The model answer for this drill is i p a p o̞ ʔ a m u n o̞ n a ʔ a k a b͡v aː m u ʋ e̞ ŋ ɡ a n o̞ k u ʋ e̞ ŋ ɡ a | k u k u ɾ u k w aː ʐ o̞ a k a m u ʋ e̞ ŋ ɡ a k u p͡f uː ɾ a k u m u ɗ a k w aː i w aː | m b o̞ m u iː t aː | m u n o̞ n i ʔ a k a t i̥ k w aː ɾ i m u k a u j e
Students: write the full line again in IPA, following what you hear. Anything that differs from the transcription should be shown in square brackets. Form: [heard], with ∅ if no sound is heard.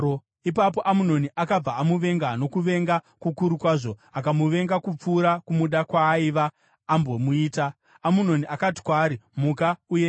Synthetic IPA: i p a p o̞ ʔ a m u n o̞ n [i] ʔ a k a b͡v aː m u ʋ e̞ ŋ ɡ a n o̞ k u ʋ e̞ ŋ ɡ a | k u k u ɾ u k w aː ʐ o̞ a k a m u ʋ e̞ ŋ ɡ a k u p͡f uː ɾ a k u m u ɗ a k w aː i [ʋ] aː | m b o̞ m u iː t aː | m u n o̞ n i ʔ a k a t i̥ k w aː ɾ i m u k a u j e